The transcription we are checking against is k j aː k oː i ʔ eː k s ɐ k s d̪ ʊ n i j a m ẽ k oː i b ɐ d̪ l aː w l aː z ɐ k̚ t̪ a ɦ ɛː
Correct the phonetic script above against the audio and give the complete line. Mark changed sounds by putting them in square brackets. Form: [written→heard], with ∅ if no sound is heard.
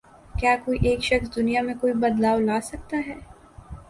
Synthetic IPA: k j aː k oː i ʔ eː k [s→ʃ] ɐ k s d̪ ʊ n i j a m ẽ k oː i b ɐ d̪ l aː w l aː [z→s] ɐ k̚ t̪ a ɦ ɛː